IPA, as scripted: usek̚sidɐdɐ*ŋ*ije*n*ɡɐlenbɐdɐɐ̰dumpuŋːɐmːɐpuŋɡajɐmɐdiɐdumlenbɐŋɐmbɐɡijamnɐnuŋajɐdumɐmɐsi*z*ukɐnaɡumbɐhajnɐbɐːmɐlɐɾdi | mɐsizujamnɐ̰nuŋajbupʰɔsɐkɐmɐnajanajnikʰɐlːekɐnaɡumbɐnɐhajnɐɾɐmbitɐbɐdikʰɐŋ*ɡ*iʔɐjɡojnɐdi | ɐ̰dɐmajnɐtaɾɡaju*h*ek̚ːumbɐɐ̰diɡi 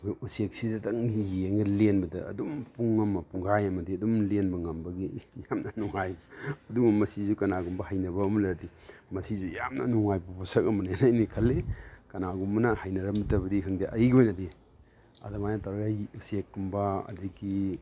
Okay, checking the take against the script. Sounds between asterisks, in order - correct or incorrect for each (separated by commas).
correct, incorrect, correct, incorrect, incorrect